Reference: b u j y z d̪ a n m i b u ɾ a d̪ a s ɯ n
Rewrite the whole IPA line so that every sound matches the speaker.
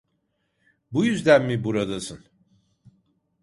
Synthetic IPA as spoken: b u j y z d̪ æ n m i b u ɾ a d̪ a s ɯ n